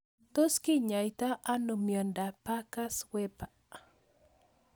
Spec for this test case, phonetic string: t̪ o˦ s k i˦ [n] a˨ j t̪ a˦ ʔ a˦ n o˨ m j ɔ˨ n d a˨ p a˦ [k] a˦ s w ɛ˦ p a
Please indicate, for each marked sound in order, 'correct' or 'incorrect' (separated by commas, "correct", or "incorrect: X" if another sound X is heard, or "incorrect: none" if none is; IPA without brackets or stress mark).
incorrect: ɲ, correct